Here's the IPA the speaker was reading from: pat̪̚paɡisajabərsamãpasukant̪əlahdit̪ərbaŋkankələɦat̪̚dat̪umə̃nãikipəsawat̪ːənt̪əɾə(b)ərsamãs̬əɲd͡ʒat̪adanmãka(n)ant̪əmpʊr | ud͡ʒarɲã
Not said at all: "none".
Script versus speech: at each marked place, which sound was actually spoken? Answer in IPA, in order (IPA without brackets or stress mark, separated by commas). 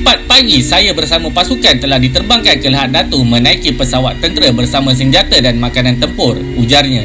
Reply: b, n